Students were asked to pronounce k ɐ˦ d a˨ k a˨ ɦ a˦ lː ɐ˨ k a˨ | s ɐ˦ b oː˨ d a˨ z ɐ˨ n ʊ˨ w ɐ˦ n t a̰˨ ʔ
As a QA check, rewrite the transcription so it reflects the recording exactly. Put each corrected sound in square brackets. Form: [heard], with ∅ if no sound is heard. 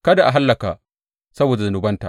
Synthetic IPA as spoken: k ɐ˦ d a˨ [ʔ] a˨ ɦ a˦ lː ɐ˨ k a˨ | s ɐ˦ b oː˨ d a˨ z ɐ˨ n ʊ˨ [b] ɐ˦ n t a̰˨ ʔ